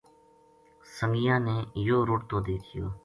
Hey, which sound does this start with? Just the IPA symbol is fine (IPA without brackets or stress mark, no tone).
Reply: s